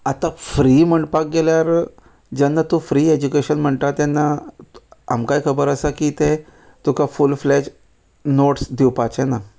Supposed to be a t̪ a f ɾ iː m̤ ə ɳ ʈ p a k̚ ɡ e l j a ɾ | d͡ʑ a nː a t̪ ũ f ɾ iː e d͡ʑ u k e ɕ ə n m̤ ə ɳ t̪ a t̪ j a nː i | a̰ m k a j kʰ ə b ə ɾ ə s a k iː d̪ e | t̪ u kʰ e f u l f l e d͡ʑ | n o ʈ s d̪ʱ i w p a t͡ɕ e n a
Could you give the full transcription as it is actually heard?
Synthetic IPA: a t̪ a f ɾ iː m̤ ə ɳ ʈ p a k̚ ɡ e l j a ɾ | d͡ʑ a nː a t̪ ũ f ɾ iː e d͡ʑ u k e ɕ ə n m̤ ə ɳ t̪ a t̪ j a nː a | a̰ m k a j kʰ ə b ə ɾ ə s a k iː t̪ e | t̪ u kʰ a f u l f l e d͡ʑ | n o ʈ s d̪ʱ i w p a t͡ɕ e n a